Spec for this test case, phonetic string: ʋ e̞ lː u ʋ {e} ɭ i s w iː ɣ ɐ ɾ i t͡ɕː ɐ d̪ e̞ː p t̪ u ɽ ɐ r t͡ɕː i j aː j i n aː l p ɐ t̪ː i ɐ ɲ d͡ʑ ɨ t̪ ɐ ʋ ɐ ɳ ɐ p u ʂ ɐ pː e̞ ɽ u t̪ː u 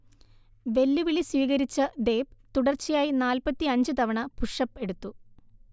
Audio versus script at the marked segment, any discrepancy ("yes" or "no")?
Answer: yes